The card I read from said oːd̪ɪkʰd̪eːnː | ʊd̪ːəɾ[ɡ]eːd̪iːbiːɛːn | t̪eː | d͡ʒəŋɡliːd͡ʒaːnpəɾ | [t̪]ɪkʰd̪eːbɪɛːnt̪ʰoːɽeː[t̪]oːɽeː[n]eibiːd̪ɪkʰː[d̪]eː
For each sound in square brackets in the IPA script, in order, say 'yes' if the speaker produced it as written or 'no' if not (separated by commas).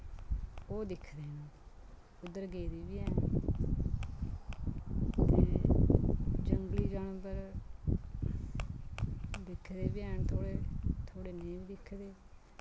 yes, no, no, yes, yes